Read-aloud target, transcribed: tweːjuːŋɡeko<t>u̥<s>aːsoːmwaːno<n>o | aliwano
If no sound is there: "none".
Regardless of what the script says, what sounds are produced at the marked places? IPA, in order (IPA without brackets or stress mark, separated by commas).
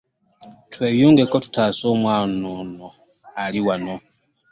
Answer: t, t, n